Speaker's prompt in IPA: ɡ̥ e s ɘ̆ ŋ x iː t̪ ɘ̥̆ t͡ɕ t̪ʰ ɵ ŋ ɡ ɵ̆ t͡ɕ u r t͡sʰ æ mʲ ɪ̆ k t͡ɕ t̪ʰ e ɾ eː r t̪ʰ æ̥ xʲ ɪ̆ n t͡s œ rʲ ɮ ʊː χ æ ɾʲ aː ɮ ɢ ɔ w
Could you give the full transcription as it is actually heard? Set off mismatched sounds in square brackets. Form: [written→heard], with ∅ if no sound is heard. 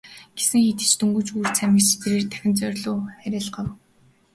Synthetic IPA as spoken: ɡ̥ e s ɘ̆ ŋ x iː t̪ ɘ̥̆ t͡ɕ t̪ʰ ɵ ŋ ɡ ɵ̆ t͡ɕ u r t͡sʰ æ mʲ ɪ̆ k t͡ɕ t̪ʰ e ɾ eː r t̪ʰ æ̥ xʲ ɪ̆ n t͡s œ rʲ ɮ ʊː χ æ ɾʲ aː ɮ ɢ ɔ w